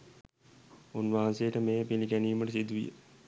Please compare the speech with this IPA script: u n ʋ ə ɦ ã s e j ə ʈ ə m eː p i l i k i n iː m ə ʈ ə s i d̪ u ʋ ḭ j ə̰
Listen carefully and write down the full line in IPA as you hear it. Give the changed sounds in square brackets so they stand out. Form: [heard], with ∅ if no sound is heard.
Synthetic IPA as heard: u n ʋ [a] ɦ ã s e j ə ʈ ə m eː p i l i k [æ] n iː m ə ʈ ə s i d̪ u ʋ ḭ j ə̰